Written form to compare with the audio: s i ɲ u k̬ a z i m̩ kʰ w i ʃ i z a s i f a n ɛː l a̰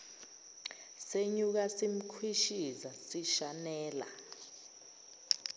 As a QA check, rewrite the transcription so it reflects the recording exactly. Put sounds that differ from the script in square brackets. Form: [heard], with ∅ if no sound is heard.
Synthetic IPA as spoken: s [e] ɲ u k̬ a [s] i m̩ kʰ w i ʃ i z a s i [ʃ] a n ɛː l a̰